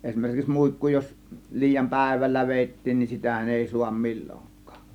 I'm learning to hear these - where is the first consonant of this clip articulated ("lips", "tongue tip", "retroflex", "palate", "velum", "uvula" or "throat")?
tongue tip